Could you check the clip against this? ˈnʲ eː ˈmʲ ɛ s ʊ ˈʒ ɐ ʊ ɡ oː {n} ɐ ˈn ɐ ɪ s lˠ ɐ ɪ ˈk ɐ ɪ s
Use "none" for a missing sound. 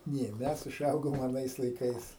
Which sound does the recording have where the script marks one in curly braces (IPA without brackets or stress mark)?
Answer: m